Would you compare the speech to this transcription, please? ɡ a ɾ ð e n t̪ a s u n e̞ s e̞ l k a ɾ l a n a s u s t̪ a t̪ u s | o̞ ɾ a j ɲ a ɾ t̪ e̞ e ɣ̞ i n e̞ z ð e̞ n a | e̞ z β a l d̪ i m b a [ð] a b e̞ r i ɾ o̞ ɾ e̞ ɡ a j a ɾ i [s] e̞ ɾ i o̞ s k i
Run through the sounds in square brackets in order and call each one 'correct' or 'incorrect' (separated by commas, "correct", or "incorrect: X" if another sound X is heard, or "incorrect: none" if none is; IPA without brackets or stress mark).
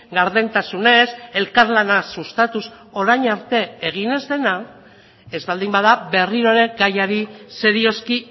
correct, correct